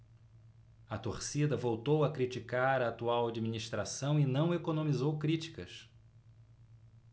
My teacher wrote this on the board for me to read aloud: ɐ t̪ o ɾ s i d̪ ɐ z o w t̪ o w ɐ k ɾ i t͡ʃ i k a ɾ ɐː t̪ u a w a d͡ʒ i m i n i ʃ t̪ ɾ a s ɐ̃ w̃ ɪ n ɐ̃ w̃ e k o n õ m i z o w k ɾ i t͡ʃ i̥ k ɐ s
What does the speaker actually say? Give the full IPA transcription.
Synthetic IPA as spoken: ɐ t̪ o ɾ s i d̪ ɐ v o w t̪ o w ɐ k ɾ i t͡ʃ i k a ɾ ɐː t̪ u a w a d͡ʒ i m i n i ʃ t̪ ɾ a s ɐ̃ w̃ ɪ n ɐ̃ w̃ e k o n õ m i z o w k ɾ i t͡ʃ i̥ k ɐ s